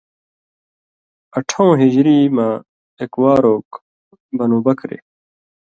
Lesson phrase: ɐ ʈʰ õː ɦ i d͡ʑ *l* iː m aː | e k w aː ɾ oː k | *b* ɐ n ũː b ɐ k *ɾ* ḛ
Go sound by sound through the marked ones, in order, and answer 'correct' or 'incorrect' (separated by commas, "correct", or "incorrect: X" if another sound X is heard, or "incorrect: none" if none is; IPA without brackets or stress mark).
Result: incorrect: ɾ, correct, correct